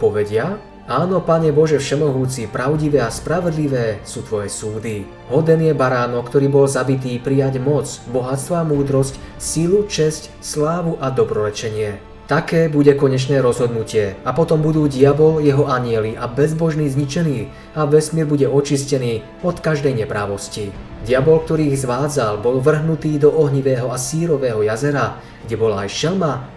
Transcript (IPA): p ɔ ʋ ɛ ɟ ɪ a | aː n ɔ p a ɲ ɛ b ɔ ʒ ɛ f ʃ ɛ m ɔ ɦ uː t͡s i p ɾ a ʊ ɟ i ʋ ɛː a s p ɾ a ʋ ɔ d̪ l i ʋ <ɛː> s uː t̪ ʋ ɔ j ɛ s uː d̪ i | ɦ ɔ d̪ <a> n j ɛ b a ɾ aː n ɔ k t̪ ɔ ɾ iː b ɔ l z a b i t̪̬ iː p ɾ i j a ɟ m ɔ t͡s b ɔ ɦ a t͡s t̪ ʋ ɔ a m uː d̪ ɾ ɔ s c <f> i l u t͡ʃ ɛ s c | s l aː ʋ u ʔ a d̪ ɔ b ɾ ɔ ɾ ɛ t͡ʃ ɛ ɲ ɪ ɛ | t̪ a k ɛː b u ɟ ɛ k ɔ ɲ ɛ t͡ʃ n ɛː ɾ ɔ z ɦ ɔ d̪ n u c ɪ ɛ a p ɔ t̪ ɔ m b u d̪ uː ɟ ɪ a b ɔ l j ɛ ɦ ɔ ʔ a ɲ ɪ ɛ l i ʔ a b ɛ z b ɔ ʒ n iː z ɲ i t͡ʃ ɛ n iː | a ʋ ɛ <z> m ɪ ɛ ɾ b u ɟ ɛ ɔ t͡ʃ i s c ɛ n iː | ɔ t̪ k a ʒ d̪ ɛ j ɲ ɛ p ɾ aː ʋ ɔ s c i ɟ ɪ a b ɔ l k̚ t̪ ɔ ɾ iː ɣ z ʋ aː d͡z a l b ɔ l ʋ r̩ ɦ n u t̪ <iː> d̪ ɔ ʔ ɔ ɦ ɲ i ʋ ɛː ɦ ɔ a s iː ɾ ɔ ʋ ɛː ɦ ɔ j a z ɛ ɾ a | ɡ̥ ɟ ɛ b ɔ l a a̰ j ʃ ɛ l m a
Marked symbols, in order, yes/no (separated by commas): yes, no, no, no, yes